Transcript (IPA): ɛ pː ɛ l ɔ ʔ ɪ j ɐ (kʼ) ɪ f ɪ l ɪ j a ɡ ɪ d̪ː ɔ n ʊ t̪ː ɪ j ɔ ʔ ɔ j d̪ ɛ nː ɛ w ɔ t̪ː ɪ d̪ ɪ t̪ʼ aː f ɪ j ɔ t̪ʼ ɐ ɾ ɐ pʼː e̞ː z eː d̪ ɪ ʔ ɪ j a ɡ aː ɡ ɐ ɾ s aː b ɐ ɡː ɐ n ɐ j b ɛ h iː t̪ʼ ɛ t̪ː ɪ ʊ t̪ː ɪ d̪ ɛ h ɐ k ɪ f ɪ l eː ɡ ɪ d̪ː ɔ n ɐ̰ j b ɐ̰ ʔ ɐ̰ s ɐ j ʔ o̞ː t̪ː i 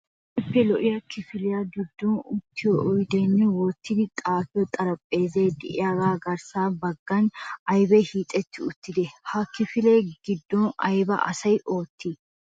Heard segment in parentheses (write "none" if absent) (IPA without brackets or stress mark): k